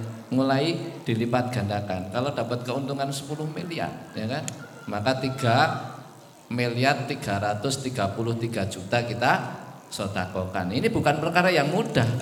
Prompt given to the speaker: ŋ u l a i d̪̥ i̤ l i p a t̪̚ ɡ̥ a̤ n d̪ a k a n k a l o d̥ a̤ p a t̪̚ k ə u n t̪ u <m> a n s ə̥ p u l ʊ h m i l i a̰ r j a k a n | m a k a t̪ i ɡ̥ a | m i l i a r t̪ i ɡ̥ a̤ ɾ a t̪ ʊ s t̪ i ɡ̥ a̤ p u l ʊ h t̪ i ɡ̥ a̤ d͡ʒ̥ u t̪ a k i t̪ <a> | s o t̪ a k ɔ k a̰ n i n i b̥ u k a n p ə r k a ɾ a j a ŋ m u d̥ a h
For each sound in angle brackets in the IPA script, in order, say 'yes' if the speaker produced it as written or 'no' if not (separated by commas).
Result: no, yes